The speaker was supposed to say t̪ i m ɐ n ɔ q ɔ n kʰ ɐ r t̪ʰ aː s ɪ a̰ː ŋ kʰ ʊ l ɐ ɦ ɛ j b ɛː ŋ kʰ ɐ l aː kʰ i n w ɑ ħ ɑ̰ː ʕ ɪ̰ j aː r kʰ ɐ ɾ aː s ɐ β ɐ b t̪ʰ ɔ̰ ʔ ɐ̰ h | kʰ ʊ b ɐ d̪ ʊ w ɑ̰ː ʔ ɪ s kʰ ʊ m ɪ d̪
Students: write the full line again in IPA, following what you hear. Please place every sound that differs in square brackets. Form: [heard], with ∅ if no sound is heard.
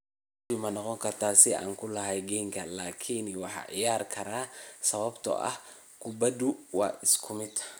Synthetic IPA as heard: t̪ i m ɐ n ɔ q ɔ [ŋ] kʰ ɐ r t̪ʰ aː s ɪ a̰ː ŋ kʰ ʊ l ɐ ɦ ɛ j [ɡ] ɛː ŋ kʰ ɐ l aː kʰ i n w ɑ ħ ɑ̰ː ʕ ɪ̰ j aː r kʰ ɐ ɾ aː s ɐ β ɐ b t̪ʰ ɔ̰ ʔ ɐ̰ h | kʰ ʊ b ɐ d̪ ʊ w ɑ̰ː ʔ ɪ s kʰ ʊ m ɪ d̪